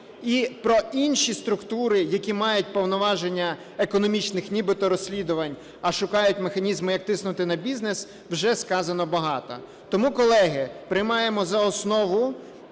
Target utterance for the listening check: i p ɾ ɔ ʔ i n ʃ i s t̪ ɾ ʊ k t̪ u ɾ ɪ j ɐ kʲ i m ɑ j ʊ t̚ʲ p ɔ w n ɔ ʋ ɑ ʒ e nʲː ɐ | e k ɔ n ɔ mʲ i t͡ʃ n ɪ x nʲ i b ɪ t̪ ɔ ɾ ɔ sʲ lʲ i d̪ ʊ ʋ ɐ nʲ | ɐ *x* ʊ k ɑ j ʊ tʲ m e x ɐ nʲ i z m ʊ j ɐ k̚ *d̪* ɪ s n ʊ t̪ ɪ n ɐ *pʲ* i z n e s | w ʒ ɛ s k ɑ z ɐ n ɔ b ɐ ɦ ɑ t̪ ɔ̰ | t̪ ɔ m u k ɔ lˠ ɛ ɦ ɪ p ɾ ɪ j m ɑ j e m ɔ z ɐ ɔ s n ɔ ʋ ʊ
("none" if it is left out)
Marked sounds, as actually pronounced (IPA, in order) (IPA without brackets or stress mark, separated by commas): ʃ, t̪, bʲ